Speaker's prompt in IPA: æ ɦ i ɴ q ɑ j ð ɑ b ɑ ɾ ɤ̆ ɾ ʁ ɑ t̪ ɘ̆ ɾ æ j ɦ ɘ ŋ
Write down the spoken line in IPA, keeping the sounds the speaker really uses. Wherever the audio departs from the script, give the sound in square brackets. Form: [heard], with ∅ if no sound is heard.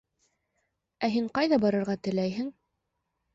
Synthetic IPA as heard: æ ɦ i ɴ q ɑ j ð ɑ b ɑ ɾ ɤ̆ ɾ ʁ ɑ t̪ ɘ̆ [l] æ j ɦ ɘ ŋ